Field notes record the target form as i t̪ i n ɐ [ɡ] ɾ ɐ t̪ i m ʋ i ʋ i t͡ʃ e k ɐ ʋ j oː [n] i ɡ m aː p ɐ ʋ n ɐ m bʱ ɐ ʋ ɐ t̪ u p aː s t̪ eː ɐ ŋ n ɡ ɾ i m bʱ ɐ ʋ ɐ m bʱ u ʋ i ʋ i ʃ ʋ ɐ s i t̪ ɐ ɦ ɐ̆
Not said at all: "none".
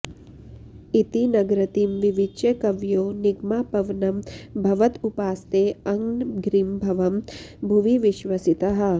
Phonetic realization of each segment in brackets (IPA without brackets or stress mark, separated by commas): ɡ, n